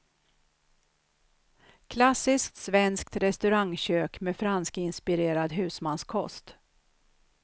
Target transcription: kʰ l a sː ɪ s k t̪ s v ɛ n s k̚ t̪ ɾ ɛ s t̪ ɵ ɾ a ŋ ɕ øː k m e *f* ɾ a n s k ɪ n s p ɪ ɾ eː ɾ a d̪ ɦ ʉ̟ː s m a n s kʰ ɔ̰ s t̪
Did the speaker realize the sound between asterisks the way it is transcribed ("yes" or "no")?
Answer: yes